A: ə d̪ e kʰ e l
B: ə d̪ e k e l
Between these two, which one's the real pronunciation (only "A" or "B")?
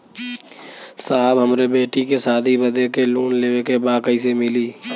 B